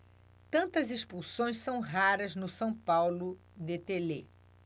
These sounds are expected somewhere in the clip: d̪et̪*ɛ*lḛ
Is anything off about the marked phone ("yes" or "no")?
yes